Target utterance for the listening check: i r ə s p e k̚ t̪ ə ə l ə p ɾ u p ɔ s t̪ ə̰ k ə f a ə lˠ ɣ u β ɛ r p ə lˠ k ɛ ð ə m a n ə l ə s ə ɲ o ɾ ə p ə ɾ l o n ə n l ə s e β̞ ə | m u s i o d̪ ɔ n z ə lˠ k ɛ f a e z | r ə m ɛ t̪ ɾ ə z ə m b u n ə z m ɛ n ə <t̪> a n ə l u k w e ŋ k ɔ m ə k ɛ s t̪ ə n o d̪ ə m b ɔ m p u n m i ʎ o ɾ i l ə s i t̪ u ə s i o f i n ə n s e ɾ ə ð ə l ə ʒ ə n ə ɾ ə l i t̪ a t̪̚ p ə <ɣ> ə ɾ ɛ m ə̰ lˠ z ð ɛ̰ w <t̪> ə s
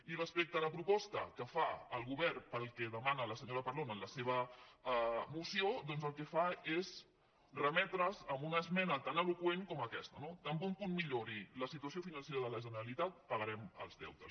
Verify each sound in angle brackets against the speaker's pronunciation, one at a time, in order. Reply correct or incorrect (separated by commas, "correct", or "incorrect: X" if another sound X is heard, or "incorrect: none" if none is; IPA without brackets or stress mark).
correct, correct, correct